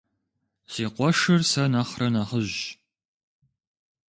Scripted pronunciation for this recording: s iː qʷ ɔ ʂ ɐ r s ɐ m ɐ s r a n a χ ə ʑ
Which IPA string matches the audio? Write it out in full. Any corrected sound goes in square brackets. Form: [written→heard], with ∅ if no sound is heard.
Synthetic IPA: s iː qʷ ɔ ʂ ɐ r s ɐ [m→n] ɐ [s→χ] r [a→ɐ] n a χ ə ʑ